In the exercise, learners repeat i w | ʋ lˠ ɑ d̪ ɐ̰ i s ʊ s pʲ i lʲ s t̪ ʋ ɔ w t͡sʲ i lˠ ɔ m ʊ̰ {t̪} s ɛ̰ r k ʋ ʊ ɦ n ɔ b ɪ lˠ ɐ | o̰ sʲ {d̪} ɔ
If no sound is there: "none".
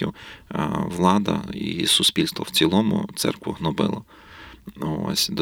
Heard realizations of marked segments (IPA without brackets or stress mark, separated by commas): t̪, d̪